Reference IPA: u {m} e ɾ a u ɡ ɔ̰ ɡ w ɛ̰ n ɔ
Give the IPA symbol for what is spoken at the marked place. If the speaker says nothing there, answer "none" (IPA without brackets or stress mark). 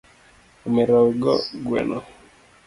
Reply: m